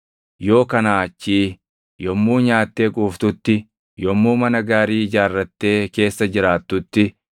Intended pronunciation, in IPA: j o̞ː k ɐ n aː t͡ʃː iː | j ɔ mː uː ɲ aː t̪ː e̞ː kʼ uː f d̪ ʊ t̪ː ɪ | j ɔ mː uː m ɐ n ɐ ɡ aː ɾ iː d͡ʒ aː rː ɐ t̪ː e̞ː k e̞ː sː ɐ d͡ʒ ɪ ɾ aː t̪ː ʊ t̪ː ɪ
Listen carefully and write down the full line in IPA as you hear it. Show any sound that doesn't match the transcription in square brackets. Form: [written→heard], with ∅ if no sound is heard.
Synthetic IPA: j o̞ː k ɐ n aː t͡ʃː iː | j ɔ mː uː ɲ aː t̪ː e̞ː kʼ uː f [d̪→t̪] ʊ t̪ː ɪ | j ɔ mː uː m ɐ n ɐ ɡ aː ɾ iː d͡ʒ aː rː ɐ t̪ː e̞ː k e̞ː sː ɐ d͡ʒ ɪ ɾ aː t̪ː ʊ t̪ː ɪ

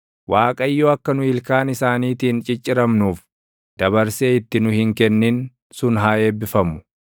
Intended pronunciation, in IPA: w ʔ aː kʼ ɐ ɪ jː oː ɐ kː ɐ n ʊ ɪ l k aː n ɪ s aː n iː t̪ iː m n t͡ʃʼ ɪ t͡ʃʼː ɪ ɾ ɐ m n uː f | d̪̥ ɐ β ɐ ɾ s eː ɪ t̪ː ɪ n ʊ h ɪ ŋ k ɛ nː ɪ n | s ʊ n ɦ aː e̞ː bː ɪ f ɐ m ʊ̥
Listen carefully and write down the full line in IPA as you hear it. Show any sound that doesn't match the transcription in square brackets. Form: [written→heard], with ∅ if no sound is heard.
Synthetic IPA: w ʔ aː kʼ ɐ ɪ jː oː ɐ kː ɐ n ʊ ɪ l k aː n ɪ s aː n iː t̪ iː [m→∅] n t͡ʃʼ ɪ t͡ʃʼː ɪ ɾ ɐ m n uː f | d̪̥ ɐ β ɐ ɾ s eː ɪ t̪ː ɪ n ʊ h ɪ ŋ k ɛ nː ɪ n | s ʊ n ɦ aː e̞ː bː ɪ f ɐ m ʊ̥

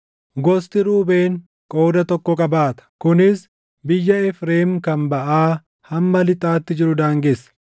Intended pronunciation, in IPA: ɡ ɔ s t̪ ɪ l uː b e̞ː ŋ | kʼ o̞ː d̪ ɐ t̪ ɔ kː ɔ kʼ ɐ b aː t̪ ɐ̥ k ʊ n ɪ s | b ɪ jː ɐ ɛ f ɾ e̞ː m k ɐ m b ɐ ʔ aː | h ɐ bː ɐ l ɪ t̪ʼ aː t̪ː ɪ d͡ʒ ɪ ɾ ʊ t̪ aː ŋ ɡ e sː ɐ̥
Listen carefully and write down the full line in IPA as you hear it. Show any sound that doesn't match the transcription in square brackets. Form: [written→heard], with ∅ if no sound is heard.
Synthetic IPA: ɡ ɔ s t̪ ɪ [l→ɾ] uː b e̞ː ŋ | kʼ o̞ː d̪ ɐ t̪ ɔ kː ɔ kʼ ɐ b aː t̪ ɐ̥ k ʊ n ɪ s | b ɪ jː ɐ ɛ f ɾ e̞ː m k ɐ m b ɐ ʔ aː | h ɐ [bː→mː] ɐ l ɪ t̪ʼ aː t̪ː ɪ d͡ʒ ɪ ɾ ʊ [t̪→d̪] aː ŋ ɡ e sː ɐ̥

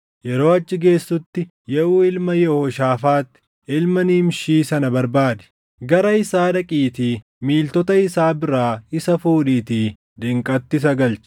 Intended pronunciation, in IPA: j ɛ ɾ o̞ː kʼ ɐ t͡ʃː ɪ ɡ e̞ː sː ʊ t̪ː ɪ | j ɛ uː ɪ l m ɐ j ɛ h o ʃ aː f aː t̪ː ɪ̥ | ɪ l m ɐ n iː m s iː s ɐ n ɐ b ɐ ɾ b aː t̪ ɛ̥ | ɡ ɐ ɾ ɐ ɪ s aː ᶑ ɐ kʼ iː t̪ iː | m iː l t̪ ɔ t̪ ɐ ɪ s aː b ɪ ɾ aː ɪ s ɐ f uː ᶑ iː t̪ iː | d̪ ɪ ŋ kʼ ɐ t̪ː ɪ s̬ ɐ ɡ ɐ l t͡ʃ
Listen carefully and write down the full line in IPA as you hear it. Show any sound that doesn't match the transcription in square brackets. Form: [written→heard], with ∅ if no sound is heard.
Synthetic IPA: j ɛ ɾ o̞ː [kʼ→∅] ɐ t͡ʃː ɪ ɡ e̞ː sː ʊ t̪ː ɪ | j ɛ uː ɪ l m ɐ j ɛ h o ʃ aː f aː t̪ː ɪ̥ | ɪ l m ɐ n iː m [s→ʃ] iː s ɐ n ɐ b ɐ ɾ b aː [t̪→d̪] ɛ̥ | ɡ ɐ ɾ ɐ ɪ s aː ᶑ ɐ kʼ iː t̪ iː | m iː l t̪ ɔ t̪ ɐ ɪ s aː b ɪ ɾ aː ɪ s ɐ f uː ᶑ iː t̪ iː | d̪ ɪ ŋ kʼ ɐ t̪ː ɪ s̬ ɐ ɡ ɐ l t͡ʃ

